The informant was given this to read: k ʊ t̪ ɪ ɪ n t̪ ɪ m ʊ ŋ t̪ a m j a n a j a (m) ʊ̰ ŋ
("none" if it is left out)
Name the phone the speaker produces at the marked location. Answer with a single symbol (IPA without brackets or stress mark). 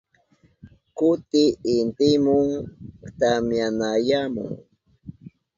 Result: m